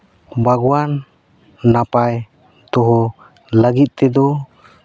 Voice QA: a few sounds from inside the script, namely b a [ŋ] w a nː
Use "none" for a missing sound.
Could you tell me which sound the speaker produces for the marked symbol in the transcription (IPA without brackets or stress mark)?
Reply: ɡ